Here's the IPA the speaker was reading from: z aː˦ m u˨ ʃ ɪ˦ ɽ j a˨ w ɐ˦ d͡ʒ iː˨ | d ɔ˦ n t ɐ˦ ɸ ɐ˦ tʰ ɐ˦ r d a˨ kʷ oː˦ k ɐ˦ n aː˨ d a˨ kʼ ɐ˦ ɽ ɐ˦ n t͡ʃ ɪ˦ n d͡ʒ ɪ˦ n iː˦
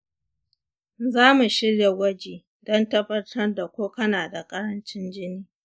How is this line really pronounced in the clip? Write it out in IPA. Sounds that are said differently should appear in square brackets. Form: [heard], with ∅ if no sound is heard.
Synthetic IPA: z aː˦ m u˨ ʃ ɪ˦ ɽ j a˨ w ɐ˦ d͡ʒ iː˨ | d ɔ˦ n t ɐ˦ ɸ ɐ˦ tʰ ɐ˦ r d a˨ kʷ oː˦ k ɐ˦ n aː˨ d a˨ kʼ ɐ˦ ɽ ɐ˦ n t͡ʃ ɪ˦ n d͡ʒ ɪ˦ n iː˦

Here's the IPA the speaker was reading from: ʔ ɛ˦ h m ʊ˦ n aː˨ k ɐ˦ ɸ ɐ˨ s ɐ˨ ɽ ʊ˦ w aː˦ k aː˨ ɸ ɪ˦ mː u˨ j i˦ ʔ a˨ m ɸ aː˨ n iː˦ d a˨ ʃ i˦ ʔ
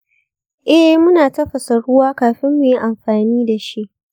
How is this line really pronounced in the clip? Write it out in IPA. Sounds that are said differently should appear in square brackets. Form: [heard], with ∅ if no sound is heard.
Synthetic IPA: ʔ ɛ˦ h m ʊ˦ n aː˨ [t] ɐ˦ ɸ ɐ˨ s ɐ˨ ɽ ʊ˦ w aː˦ k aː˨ ɸ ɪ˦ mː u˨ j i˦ ʔ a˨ m ɸ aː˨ n iː˦ d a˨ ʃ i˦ ʔ

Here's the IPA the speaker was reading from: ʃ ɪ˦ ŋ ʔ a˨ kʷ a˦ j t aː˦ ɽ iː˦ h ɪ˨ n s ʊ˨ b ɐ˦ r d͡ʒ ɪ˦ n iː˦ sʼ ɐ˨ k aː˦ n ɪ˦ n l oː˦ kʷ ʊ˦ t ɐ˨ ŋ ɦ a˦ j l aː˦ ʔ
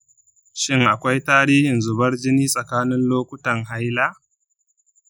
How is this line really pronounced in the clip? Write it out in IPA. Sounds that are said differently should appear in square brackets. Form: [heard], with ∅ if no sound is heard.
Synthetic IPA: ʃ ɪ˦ ŋ ʔ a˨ kʷ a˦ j t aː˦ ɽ iː˦ h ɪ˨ n [z] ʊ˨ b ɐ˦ r d͡ʒ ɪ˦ n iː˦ sʼ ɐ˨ k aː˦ n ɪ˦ n l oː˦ kʷ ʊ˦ t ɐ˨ ŋ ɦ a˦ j l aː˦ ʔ

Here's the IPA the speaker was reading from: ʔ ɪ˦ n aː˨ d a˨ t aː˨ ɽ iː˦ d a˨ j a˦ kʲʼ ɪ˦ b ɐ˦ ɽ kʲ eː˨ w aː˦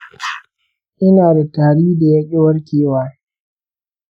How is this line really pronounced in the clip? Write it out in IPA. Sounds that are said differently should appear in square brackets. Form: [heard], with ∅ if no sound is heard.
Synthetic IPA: ʔ ɪ˦ n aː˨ d a˨ t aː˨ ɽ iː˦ d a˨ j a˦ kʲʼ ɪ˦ [w] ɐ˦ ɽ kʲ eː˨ w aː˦

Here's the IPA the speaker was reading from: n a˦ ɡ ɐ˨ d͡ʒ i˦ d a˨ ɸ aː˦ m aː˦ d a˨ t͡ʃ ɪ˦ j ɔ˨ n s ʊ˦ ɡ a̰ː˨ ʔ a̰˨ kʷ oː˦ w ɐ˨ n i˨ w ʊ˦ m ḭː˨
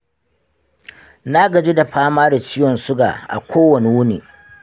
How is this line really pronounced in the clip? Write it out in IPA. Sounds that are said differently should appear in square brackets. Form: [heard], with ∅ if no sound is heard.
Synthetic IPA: n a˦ ɡ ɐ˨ d͡ʒ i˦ d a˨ ɸ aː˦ m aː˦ d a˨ t͡ʃ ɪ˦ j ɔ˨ n s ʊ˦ ɡ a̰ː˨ ʔ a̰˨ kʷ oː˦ w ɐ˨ n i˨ w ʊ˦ [n] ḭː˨

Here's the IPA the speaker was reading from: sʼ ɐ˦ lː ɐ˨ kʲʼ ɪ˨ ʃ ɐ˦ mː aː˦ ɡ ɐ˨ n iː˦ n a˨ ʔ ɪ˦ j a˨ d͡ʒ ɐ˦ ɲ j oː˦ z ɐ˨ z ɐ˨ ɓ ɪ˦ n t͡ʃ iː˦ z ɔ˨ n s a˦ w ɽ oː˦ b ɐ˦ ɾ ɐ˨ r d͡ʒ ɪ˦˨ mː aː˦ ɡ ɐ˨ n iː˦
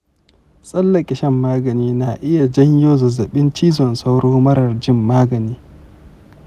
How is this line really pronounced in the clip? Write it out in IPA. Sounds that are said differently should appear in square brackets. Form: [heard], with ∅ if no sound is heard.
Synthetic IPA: sʼ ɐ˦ lː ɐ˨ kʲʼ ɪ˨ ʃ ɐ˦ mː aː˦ ɡ ɐ˨ n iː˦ n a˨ ʔ ɪ˦ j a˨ d͡ʒ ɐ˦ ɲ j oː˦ z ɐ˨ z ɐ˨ ɓ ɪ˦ n t͡ʃ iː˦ z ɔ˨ n s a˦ w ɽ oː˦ [m] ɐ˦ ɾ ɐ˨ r d͡ʒ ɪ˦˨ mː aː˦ ɡ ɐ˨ n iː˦

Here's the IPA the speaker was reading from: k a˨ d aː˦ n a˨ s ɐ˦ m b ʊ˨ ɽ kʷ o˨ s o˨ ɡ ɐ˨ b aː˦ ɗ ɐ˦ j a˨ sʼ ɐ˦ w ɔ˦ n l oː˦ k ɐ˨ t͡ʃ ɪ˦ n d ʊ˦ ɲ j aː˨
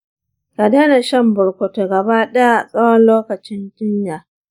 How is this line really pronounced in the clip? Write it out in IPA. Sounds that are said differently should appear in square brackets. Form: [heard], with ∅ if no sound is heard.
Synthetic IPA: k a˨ d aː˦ n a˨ [ʃ] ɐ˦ m b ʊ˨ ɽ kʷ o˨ [t] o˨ ɡ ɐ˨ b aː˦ ɗ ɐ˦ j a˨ sʼ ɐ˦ w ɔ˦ n l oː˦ k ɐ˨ t͡ʃ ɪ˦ n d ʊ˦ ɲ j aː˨

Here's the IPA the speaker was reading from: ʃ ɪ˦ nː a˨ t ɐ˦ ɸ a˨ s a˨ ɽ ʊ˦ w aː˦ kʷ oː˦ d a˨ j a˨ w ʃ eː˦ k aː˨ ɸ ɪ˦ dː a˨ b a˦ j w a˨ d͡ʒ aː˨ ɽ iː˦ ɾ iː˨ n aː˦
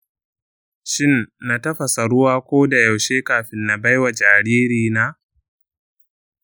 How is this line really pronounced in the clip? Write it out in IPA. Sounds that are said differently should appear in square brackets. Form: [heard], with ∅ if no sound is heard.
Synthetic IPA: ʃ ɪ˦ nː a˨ t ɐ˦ ɸ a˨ s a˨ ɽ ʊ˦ w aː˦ kʷ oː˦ d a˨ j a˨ w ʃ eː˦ k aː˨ ɸ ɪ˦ [nː] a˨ b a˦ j w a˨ d͡ʒ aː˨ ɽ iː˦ ɾ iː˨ n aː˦

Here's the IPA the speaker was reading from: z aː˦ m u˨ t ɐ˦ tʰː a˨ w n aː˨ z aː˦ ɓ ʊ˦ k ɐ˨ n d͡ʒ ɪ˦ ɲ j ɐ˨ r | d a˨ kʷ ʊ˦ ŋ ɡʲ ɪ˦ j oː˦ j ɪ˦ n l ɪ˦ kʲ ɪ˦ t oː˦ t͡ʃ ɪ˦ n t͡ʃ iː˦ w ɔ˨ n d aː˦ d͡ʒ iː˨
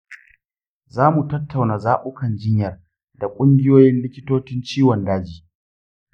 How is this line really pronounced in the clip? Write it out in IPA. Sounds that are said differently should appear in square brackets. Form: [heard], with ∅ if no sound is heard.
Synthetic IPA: z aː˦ m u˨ t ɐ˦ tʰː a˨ w n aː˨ z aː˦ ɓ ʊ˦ k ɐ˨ n d͡ʒ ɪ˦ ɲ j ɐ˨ r | d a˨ [kʷʼ] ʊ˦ ŋ ɡʲ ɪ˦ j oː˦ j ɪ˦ n l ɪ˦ kʲ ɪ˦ t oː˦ t͡ʃ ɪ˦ n t͡ʃ iː˦ w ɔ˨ n d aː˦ d͡ʒ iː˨

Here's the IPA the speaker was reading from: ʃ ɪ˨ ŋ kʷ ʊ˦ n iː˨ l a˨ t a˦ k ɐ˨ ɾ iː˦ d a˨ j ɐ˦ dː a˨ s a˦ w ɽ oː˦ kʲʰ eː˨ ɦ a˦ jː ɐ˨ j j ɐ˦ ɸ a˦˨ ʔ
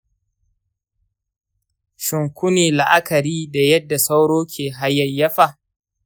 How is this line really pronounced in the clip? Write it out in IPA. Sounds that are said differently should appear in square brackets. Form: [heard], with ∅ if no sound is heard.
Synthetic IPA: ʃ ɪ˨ ŋ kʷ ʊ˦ n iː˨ l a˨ [ʔ] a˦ k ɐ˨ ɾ iː˦ d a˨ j ɐ˦ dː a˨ s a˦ w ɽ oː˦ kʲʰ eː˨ ɦ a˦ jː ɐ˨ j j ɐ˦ ɸ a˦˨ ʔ

